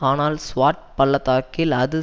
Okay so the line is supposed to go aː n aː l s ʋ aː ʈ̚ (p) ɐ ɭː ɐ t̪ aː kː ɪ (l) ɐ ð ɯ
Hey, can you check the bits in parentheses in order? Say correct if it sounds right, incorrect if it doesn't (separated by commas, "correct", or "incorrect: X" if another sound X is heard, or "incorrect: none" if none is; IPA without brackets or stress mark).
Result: correct, correct